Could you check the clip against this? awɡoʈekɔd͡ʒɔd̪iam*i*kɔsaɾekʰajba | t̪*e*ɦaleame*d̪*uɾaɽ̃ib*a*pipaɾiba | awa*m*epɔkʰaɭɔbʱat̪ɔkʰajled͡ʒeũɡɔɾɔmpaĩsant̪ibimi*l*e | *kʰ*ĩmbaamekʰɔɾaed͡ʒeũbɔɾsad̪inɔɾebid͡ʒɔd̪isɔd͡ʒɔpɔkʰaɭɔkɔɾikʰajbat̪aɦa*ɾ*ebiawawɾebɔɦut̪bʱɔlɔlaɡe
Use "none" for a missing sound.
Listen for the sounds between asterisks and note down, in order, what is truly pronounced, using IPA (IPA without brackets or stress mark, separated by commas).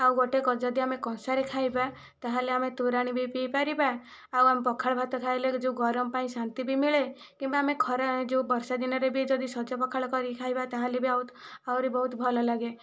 e, a, t̪, i, m, ɭ, k, l